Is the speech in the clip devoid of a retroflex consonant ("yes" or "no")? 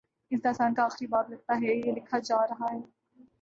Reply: yes